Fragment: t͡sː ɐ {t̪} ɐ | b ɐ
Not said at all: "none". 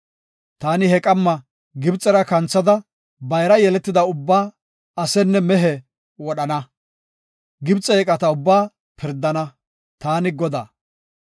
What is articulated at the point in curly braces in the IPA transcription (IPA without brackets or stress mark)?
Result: d̪